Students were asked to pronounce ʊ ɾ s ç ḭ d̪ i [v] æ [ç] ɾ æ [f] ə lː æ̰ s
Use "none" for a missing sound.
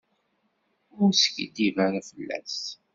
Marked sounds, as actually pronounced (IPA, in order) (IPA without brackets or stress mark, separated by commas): v, none, f